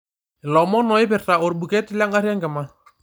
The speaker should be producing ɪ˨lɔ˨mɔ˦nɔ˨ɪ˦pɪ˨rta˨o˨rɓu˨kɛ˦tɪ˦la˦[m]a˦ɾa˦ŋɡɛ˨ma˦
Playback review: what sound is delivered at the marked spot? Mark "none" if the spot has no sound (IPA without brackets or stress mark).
ŋ